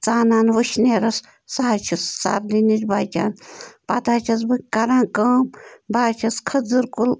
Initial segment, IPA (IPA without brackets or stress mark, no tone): t͡s